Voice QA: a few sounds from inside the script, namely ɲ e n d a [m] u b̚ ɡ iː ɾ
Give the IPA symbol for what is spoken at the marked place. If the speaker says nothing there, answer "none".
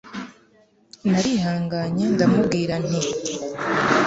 m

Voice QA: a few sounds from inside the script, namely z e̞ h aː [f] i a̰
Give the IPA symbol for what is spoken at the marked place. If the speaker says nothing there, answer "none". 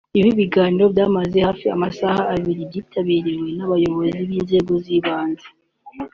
f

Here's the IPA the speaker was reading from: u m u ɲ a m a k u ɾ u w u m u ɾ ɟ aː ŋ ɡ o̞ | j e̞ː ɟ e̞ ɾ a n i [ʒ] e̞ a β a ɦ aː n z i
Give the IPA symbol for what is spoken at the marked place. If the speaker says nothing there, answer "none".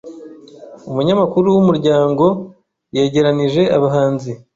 ʒ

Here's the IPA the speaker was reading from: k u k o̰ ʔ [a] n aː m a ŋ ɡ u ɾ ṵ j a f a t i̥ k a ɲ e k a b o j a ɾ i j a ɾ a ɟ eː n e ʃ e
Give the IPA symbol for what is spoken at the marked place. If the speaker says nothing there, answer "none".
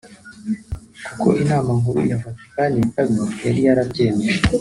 i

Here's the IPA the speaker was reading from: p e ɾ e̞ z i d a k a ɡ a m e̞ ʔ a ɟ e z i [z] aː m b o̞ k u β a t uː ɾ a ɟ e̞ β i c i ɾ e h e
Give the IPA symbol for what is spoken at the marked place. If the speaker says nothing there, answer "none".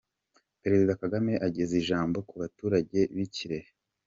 ʒ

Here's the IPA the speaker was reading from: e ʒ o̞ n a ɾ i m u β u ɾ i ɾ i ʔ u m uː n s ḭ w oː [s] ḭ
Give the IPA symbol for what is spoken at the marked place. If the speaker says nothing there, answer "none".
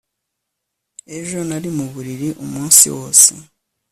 s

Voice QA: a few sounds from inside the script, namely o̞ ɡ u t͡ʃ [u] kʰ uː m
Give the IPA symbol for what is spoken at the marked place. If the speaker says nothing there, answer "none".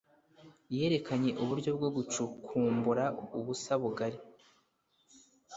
u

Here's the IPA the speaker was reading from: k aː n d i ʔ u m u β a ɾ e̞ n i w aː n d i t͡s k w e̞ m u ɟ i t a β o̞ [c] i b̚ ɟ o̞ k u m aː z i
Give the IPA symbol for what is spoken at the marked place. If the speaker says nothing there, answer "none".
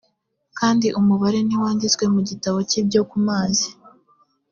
c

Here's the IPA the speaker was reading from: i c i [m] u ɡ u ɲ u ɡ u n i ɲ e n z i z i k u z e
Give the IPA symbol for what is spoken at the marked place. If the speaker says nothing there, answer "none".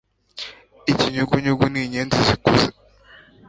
ɲ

